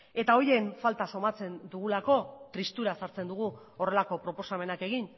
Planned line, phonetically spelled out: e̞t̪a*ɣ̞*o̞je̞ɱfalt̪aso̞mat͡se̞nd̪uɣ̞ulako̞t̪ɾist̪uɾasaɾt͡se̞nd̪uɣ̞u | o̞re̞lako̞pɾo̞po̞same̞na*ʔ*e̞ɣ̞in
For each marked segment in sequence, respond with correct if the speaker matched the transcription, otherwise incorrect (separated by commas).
incorrect, incorrect